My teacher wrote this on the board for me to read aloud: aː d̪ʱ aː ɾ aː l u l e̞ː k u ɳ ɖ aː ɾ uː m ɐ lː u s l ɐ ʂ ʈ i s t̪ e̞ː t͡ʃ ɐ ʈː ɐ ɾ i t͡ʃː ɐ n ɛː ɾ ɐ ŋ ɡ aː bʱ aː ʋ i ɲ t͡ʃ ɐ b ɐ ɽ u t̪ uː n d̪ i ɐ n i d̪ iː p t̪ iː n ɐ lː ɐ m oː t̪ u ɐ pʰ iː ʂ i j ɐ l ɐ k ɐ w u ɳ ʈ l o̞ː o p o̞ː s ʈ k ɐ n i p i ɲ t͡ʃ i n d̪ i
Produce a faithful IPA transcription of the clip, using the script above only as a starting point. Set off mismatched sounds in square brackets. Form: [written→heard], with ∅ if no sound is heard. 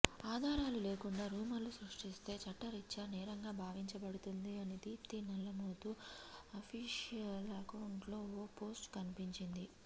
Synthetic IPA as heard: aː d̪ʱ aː ɾ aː l u l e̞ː k u ɳ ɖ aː ɾ uː m ɐ lː u s [l→ɾ] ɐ ʂ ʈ i s t̪ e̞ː t͡ʃ ɐ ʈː ɐ ɾ i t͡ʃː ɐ n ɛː ɾ ɐ ŋ ɡ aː bʱ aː ʋ i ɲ t͡ʃ ɐ b ɐ ɽ u t̪ [uː→u] n d̪ i ɐ n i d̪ iː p t̪ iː n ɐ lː ɐ m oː t̪ u ɐ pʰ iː ʂ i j ɐ l ɐ k ɐ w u ɳ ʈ l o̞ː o p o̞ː s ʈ k ɐ n i p i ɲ t͡ʃ i n d̪ i